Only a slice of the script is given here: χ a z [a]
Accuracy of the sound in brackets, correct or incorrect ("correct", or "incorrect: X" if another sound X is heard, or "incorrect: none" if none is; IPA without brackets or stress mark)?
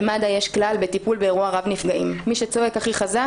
correct